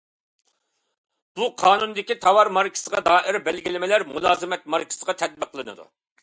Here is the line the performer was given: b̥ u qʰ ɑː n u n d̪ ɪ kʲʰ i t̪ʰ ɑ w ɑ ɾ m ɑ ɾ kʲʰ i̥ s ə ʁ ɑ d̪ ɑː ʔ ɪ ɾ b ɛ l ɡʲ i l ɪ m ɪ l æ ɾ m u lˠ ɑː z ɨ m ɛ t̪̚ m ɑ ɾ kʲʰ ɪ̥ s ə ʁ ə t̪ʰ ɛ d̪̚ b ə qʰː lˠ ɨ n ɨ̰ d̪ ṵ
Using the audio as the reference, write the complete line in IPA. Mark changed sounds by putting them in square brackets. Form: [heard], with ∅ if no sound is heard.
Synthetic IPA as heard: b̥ u qʰ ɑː n u n d̪ ɪ [kʲ] i t̪ʰ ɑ w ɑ ɾ m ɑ ɾ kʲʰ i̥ s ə ʁ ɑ d̪ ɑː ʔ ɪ ɾ b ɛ l ɡʲ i l ɪ m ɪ l æ ɾ m u lˠ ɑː z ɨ m ɛ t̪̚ m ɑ ɾ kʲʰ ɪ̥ s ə ʁ [ɑ] t̪ʰ ɛ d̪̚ b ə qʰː lˠ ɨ n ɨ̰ d̪ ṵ